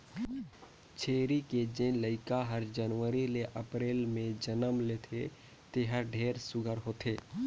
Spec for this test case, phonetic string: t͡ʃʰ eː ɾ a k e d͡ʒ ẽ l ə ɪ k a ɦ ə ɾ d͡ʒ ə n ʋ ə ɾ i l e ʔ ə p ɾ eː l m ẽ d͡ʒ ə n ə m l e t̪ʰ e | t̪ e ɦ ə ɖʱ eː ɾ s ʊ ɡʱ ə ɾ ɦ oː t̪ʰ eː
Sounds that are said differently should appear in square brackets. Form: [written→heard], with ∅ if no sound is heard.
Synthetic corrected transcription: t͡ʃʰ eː ɾ [a→i] k e d͡ʒ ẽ l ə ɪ k a ɦ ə ɾ d͡ʒ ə n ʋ ə ɾ i l e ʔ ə p ɾ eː l m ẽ d͡ʒ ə n ə m l e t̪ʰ e | t̪ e ɦ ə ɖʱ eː ɾ s ʊ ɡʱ ə ɾ ɦ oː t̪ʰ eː

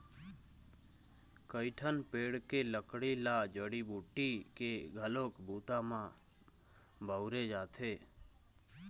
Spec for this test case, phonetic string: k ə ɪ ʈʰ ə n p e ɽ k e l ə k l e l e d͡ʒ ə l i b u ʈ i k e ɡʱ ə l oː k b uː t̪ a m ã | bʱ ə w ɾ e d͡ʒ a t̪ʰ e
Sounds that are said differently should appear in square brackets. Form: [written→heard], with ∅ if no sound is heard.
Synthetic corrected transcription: k ə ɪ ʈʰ ə n p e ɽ k e l ə k [l→ɽ] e l [e→a] d͡ʒ ə [l→ɽ] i b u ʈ i k e ɡʱ ə l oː k b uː t̪ a m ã | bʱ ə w ɾ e d͡ʒ a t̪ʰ e

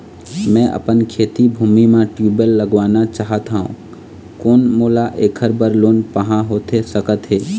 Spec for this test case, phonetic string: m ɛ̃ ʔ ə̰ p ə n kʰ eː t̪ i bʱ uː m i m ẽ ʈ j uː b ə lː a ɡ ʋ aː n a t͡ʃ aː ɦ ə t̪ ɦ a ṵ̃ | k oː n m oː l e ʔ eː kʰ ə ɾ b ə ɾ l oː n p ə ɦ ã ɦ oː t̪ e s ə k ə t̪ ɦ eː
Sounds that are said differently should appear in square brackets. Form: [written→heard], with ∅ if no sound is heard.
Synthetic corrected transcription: m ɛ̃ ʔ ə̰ p ə n kʰ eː t̪ i bʱ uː m i m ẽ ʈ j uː b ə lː [a→ə] ɡ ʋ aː n a t͡ʃ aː ɦ ə t̪ ɦ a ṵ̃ | k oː n m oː l [e→a] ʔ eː kʰ ə ɾ b ə ɾ l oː n p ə ɦ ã ɦ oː t̪ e s ə k ə t̪ ɦ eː

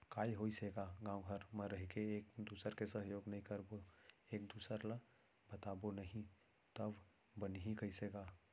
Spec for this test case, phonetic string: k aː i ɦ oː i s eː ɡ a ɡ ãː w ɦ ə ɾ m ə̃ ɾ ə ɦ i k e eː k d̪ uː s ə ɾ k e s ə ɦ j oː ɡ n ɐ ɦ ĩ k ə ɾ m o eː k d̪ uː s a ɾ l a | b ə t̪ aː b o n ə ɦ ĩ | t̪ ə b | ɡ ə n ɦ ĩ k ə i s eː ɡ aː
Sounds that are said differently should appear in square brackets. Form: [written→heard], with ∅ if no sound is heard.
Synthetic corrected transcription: k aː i ɦ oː i s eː ɡ a ɡ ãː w ɦ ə ɾ m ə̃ ɾ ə ɦ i k e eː k d̪ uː s ə ɾ k e s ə ɦ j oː ɡ n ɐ ɦ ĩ k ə ɾ [m→b] o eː k d̪ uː s [a→ə] ɾ l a | b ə t̪ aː b o n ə ɦ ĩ | t̪ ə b | [ɡ→b] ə n ɦ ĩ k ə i s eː ɡ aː

